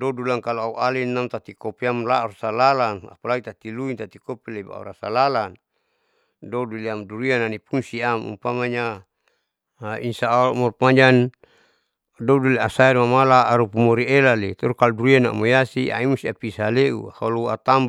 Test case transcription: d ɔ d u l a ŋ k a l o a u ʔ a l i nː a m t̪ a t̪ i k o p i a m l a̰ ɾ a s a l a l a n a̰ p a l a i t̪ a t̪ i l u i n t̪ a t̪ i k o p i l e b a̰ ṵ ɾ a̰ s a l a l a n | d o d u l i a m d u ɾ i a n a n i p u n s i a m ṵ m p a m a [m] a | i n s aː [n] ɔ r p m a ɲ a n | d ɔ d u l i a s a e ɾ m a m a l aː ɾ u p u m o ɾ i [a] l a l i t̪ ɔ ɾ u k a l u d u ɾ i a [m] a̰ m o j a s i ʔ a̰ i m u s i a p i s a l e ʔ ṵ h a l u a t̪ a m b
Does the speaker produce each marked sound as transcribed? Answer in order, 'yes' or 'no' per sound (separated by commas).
no, no, no, no